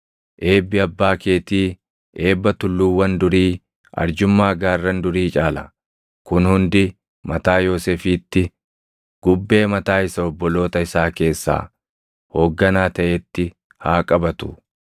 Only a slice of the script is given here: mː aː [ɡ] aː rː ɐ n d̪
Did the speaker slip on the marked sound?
no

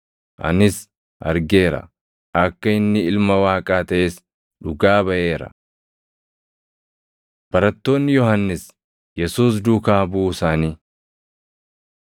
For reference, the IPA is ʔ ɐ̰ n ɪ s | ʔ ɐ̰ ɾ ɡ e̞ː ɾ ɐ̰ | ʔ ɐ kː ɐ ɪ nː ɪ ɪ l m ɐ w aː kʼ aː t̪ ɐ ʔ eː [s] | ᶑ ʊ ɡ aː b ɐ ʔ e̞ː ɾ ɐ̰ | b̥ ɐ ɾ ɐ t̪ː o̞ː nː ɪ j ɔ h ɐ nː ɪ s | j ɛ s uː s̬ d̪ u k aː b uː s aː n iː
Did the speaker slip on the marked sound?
no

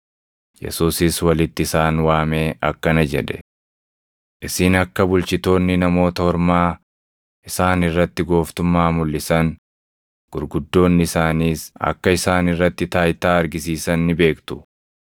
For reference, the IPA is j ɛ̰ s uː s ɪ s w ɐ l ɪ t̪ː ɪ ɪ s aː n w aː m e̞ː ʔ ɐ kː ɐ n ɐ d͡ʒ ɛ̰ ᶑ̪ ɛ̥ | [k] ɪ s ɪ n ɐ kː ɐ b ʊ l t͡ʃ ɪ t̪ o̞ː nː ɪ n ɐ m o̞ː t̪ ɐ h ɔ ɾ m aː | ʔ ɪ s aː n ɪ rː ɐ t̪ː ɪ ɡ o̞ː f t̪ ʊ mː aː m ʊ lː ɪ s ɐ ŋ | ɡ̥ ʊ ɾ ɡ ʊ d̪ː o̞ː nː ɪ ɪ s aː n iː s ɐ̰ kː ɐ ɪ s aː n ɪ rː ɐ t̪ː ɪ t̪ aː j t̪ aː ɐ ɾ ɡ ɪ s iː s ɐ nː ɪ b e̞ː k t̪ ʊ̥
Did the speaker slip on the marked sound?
yes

